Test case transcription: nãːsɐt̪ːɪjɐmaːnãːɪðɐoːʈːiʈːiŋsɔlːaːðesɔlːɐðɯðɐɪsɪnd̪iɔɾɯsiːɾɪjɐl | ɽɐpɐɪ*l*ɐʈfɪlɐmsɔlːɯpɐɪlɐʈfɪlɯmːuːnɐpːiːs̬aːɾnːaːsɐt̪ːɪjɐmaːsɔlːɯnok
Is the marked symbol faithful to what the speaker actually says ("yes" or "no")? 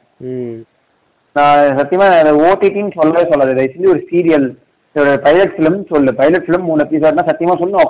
yes